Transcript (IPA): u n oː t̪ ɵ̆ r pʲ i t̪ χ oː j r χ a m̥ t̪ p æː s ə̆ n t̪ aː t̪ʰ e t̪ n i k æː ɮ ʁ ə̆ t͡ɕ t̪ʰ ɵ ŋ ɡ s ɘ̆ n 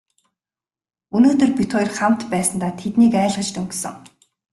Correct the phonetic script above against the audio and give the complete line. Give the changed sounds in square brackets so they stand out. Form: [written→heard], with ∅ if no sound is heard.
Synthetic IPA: u n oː t̪ ɵ̆ r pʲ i t̪ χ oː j r χ a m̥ t̪ p æː s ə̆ n t̪ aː t̪ʰ e t̪ n [i→iː] k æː ɮ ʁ ə̆ t͡ɕ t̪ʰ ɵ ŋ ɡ s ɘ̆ [n→ŋ]